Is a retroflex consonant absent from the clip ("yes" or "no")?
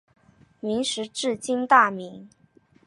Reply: no